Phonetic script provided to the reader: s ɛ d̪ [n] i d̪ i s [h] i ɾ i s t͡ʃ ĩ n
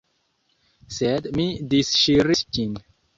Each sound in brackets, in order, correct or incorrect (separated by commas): incorrect, incorrect